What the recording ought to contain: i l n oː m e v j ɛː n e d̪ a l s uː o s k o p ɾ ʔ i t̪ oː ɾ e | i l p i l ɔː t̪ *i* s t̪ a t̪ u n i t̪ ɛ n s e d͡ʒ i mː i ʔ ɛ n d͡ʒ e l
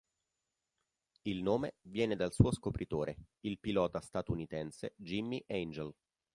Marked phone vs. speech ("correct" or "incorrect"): incorrect